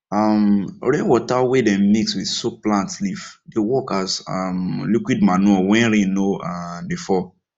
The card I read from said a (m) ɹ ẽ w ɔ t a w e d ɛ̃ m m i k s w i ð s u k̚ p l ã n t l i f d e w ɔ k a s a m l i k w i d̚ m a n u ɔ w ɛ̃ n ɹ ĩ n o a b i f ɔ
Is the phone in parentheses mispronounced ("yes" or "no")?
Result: no